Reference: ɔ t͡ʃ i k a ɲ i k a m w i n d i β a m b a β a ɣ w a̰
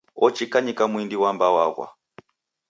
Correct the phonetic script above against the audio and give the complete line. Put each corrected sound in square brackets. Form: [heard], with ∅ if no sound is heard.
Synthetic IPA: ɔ t͡ʃ i k a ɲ i k a m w i n d i [w] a m b a [w] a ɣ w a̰